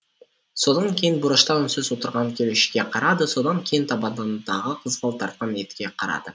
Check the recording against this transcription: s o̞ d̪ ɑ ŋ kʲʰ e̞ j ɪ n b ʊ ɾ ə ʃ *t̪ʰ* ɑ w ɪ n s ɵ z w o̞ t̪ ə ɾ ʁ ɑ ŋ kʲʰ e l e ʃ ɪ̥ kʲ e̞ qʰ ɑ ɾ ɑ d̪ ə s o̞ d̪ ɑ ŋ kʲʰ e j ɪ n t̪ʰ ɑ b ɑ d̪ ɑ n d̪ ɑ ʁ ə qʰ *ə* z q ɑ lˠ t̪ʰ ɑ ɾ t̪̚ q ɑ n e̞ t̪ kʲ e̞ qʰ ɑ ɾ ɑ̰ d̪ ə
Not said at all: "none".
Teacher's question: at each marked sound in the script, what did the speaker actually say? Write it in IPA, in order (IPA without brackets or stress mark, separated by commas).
t̪, ə